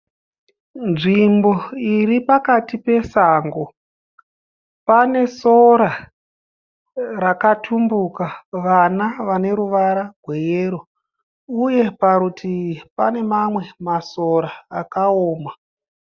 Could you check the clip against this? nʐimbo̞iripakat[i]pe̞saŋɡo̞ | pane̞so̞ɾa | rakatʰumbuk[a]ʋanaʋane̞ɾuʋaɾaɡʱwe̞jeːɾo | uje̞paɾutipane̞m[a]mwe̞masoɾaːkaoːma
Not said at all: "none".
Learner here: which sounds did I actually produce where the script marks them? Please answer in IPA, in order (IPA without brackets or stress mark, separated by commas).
i, a, a